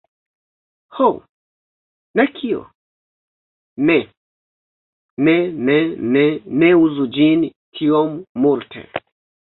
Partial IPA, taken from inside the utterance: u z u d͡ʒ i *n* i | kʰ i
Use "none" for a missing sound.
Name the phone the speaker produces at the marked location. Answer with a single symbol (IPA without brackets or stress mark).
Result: n